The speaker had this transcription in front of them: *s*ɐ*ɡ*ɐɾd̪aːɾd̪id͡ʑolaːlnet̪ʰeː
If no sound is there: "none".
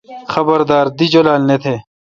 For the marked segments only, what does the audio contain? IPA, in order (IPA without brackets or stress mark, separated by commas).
x, b